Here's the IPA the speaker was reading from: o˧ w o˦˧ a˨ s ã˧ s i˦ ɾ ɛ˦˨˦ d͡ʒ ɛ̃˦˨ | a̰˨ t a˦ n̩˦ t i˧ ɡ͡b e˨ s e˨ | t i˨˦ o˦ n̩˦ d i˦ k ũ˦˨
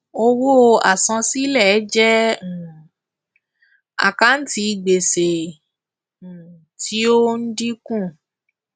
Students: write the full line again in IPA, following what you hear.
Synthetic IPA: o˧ w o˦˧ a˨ s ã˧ s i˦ l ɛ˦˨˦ d͡ʒ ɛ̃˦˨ | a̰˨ k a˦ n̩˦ t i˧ ɡ͡b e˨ s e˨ | t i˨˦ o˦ n̩˦ d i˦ k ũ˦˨